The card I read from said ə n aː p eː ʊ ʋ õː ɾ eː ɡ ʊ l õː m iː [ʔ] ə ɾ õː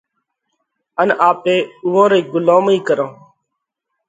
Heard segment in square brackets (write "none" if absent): k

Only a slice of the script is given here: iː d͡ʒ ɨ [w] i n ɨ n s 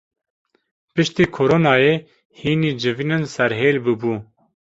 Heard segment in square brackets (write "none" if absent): v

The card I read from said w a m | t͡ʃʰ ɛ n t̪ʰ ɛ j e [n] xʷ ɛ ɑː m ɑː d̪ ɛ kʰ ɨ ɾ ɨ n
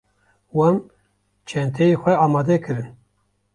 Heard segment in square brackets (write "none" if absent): none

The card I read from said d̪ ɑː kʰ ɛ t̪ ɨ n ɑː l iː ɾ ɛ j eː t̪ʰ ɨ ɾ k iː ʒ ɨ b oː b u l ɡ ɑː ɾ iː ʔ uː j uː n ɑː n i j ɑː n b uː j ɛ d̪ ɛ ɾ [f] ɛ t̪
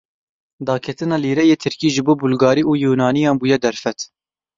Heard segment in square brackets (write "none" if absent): f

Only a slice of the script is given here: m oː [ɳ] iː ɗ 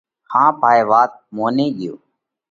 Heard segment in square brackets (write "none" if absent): n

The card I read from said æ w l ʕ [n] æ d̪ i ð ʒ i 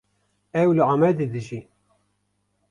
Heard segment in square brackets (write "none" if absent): m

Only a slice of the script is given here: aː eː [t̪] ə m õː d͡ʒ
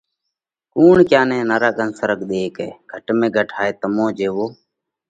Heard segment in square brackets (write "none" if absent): t̪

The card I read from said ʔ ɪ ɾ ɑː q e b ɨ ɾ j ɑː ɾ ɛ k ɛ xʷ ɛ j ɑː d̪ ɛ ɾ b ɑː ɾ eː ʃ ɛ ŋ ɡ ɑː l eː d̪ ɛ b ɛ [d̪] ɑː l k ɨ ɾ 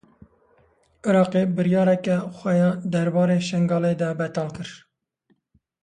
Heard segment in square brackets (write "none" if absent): t̪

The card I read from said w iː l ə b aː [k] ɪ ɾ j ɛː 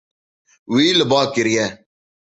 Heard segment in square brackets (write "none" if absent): k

